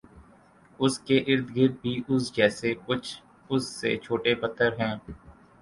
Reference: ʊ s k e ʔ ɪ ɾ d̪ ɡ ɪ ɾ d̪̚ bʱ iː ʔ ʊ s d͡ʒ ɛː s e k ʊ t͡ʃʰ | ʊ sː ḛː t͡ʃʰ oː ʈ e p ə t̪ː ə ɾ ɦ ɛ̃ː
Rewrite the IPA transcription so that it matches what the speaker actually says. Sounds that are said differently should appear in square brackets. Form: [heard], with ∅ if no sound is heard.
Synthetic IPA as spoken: ʊ s k e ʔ ɪ ɾ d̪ ɡ ɪ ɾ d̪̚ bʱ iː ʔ ʊ s d͡ʒ ɛː s e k ʊ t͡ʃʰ | ʊ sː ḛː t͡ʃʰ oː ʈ e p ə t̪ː ə ɾ ɦ ɛ̃ː